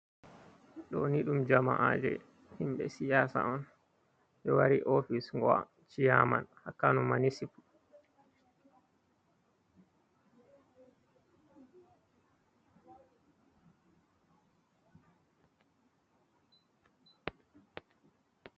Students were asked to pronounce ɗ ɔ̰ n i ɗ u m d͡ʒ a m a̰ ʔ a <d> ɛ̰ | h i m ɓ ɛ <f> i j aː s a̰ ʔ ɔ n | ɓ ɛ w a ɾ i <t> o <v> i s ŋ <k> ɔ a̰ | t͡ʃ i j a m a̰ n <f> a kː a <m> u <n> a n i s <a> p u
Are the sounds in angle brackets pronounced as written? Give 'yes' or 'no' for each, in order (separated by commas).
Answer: no, no, no, no, no, no, no, no, no